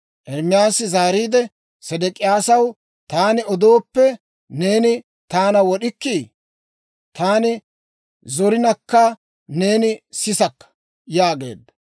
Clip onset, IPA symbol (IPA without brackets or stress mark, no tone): ʔ